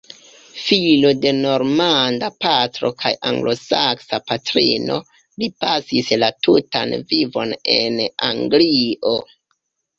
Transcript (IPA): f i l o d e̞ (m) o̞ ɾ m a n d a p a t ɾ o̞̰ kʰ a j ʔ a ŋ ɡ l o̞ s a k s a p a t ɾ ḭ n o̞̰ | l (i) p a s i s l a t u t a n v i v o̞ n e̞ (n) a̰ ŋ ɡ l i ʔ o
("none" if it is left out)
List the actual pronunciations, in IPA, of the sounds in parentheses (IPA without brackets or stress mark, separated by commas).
n, i, n